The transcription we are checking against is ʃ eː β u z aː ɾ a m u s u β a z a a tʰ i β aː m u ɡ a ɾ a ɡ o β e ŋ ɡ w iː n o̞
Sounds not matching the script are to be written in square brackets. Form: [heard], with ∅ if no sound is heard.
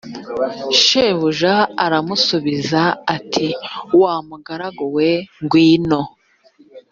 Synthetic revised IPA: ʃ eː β u [ʒ] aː ɾ a m u s u β [i] z a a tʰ i [w] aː m u ɡ a ɾ a ɡ o [w] e ŋ ɡ w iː n o̞